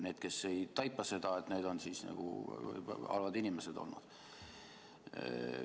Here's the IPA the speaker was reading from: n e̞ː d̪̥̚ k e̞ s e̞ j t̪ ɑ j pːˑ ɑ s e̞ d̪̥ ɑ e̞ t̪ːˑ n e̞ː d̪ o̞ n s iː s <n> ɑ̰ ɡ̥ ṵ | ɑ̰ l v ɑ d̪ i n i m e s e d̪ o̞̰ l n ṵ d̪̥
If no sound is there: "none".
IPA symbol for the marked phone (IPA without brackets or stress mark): n